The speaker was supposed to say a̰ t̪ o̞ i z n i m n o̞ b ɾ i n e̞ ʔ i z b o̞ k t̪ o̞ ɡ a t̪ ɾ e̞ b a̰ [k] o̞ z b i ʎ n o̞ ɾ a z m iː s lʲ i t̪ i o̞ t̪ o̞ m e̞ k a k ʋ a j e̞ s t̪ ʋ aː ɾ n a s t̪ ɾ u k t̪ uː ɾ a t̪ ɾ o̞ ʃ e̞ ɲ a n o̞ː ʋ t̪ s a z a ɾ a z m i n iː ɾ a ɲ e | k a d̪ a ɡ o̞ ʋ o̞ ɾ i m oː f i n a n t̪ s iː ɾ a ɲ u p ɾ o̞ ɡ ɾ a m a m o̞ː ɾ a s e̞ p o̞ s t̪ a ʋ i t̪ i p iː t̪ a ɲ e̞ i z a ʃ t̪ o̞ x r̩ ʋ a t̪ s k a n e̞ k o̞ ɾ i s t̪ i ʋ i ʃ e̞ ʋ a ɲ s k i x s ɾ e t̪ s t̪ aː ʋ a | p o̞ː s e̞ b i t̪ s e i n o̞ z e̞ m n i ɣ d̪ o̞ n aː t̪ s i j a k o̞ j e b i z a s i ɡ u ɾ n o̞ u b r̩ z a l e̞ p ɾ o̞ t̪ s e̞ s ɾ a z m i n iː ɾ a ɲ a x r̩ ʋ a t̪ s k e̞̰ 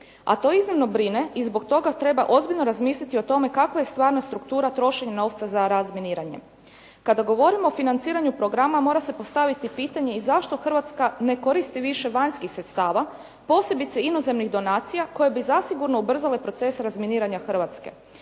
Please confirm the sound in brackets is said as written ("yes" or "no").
no